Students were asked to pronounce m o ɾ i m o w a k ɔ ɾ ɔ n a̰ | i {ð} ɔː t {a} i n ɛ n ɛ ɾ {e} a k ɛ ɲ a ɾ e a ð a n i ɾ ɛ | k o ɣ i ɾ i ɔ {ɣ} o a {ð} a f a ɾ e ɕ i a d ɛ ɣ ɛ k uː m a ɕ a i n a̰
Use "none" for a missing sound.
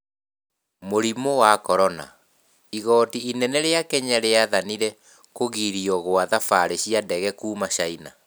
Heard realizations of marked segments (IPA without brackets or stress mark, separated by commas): ɣ, i, e, ɣ, ð